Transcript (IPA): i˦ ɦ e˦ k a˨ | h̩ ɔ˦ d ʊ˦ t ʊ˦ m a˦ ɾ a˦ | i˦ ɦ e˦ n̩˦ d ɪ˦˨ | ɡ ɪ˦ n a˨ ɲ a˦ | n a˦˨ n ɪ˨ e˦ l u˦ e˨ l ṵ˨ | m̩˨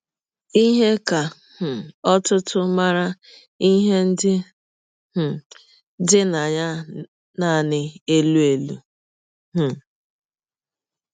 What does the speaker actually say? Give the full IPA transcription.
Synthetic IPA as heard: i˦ ɦ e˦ k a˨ | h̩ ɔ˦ t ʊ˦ t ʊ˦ m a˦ ɾ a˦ | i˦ ɦ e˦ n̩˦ d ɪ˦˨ | d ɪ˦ n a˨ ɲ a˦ | n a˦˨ n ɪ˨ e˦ l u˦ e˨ l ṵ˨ | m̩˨

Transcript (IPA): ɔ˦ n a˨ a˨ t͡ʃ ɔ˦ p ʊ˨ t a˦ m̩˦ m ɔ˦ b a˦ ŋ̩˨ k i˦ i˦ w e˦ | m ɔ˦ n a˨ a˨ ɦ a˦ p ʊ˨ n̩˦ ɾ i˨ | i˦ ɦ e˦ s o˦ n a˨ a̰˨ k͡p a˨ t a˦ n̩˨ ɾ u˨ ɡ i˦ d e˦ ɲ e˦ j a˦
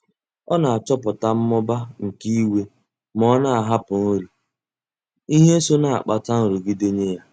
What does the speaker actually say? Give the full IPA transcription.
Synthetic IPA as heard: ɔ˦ n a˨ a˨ t͡ʃ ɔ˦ p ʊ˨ t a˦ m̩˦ m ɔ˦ b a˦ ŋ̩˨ k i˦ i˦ w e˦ | m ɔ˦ n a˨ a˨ ɦ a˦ p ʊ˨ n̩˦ ɾ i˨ | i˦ ɦ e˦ s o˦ n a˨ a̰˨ k͡p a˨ t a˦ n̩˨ ɾ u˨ ɡ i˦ d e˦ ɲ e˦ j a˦

